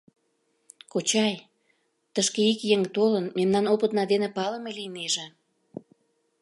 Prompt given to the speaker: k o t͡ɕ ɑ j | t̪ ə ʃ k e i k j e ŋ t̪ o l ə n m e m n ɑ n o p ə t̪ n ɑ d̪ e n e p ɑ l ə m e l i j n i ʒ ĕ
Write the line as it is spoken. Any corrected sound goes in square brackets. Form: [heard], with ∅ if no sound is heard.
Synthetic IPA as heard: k o t͡ɕ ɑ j | t̪ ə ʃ k e i k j e ŋ t̪ o l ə n m e m n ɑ n o p ə t̪ n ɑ d̪ e n e p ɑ l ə m e l i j n [e] ʒ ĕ